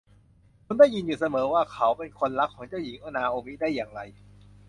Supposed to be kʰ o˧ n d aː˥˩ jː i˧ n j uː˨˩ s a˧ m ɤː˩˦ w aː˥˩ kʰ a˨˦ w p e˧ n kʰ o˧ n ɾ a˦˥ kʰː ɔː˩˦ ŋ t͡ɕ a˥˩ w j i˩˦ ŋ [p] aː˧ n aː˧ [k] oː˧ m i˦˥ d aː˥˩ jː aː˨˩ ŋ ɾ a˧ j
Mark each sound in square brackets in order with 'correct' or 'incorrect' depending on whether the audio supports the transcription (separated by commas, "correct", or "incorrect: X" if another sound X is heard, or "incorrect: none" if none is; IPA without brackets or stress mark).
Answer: incorrect: ʔ, incorrect: ʔ